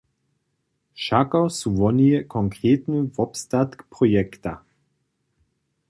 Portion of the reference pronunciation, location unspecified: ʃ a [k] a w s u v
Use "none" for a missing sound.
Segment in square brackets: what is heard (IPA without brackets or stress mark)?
k